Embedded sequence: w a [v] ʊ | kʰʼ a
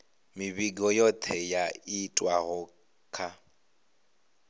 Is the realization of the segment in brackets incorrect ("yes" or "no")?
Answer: yes